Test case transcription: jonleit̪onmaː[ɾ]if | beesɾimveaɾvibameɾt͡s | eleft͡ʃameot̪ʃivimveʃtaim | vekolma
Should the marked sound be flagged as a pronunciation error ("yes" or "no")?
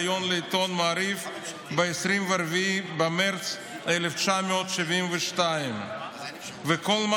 no